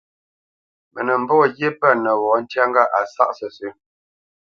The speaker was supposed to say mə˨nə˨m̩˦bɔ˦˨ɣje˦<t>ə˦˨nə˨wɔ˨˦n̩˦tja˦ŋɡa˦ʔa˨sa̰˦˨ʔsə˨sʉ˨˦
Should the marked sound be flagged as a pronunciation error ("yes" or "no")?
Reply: yes